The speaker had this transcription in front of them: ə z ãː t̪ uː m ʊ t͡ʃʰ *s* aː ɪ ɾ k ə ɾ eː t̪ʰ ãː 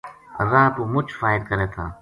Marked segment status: incorrect: f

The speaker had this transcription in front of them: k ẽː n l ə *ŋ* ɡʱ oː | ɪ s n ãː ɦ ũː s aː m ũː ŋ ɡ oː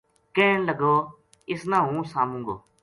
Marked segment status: incorrect: none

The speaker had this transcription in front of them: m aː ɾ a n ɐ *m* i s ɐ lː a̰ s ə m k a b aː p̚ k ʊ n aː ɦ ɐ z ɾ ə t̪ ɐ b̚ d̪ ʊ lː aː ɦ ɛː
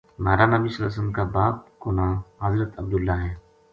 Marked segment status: incorrect: b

